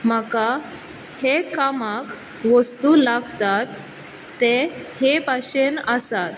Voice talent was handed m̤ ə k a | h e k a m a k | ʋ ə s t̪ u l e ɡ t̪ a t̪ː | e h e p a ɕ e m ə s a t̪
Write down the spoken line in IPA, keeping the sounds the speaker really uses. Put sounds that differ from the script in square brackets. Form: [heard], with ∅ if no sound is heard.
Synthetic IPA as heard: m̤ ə k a | h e k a m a k | ʋ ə s t̪ u l [a] ɡ t̪ a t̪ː | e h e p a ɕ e [n] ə s a t̪